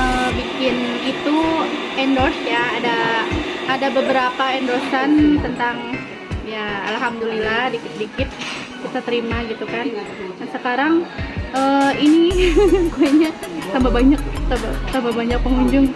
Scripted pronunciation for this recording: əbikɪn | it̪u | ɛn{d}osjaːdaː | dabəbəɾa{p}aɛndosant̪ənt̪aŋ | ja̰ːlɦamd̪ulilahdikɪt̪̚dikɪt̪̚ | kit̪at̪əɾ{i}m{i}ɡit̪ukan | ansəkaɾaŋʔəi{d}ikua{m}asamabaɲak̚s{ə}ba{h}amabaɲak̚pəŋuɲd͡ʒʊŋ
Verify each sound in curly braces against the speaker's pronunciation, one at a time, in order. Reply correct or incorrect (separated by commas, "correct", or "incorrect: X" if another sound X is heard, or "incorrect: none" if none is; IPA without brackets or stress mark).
correct, correct, correct, incorrect: a, incorrect: n, incorrect: ɲ, incorrect: a, incorrect: s